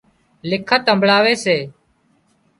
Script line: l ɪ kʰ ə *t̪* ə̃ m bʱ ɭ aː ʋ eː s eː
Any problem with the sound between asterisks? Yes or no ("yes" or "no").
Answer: no